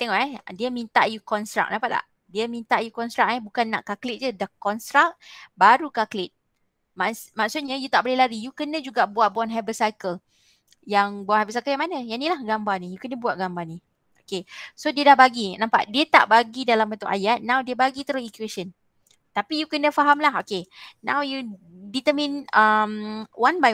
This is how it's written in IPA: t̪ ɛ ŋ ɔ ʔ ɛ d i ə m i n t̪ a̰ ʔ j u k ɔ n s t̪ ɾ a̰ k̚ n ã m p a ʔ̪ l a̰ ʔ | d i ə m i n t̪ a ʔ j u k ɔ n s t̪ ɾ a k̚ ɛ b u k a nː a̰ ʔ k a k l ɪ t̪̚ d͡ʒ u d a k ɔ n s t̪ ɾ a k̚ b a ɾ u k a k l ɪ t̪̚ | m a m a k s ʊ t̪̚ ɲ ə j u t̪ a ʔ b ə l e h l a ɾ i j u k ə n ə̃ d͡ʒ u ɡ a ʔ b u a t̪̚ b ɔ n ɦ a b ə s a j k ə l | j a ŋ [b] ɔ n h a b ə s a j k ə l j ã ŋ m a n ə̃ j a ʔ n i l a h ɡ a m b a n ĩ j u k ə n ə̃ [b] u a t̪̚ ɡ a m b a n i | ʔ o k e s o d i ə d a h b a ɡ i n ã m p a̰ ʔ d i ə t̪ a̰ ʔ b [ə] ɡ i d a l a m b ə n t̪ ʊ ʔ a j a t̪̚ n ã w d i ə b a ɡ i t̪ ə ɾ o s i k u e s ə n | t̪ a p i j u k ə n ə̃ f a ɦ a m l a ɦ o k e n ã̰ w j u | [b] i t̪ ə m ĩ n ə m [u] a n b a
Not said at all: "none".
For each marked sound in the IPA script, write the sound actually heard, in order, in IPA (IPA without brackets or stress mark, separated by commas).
b, b, a, d, w